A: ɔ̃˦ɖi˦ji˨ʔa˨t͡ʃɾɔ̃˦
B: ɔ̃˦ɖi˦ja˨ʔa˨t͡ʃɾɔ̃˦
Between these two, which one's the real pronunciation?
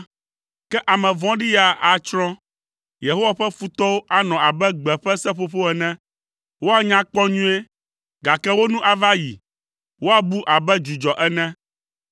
B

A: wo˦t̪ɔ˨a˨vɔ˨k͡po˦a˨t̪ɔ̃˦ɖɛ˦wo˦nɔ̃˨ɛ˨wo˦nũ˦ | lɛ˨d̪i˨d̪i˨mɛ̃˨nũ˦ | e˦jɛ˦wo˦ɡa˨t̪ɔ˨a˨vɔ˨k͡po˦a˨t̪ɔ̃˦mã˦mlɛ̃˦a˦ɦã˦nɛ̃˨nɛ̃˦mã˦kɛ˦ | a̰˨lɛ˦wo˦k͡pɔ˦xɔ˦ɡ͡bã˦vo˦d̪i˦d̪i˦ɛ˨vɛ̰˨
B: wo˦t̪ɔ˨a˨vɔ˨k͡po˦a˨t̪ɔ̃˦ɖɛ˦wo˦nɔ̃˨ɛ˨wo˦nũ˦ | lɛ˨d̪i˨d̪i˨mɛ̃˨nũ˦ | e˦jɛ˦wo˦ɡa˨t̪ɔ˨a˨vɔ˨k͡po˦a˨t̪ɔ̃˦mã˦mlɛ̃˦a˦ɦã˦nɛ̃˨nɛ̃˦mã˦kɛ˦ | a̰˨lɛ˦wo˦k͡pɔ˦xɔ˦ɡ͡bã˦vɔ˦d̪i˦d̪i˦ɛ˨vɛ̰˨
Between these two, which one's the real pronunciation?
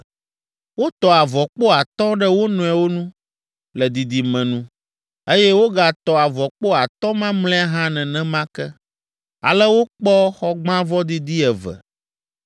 B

